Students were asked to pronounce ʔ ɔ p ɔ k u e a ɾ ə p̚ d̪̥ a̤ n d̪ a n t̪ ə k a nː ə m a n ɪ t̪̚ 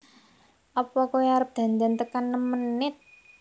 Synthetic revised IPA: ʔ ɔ p ɔ k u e a ɾ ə p̚ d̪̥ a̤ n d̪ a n t̪ ə k a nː ə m ə n ɪ t̪̚

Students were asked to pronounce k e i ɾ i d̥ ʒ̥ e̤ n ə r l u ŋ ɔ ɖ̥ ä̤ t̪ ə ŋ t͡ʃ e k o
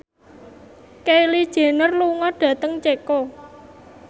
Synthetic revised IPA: k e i l i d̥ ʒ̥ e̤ n ə r l u ŋ ɔ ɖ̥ ä̤ t̪ ə ŋ t͡ʃ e k o

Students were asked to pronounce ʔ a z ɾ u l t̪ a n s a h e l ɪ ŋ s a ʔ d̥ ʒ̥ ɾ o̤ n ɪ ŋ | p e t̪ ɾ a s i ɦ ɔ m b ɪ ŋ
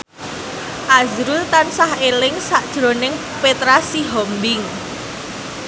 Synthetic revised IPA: ʔ a z ɾ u l t̪ a n s a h e l ɪ ŋ s a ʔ d̥ ʒ̥ ɾ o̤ n ɪ ŋ | p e t̪ ɾ a s i ɦ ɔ m b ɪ ŋ

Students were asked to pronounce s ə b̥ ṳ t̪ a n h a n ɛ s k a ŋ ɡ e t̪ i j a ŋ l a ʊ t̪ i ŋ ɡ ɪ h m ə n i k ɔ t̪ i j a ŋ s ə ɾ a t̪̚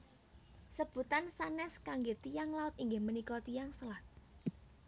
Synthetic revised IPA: s ə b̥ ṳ t̪ a n s a n ɛ s k a ŋ ɡ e t̪ i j a ŋ l a ʊ t̪ i ŋ ɡ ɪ h m ə n i k ɔ t̪ i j a ŋ s ə l a t̪̚

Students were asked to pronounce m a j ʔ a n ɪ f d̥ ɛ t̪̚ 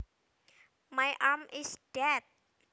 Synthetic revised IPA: m a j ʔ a m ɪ s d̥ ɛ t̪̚

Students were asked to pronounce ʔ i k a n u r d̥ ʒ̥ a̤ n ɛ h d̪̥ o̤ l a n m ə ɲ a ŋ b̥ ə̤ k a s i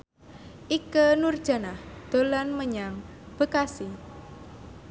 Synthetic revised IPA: ʔ i k ə n u r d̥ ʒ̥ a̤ n a h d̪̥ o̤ l a n m ə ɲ a ŋ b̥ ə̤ k a s i

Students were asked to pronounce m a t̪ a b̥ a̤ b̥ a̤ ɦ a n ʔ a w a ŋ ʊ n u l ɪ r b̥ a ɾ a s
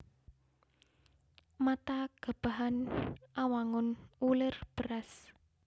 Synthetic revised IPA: m a t̪ a ɡ̥ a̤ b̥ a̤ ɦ a n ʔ a w a ŋ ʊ n u l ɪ r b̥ ə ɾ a s

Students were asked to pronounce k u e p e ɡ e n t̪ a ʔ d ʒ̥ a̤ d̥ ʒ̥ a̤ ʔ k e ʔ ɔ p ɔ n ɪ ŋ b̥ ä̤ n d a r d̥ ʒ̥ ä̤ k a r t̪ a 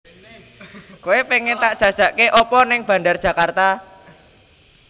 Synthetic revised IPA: k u e p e ŋ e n t̪ a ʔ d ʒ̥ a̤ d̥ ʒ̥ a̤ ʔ k e ʔ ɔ p ɔ n ɪ ŋ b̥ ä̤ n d a r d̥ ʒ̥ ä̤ k a r t̪ a

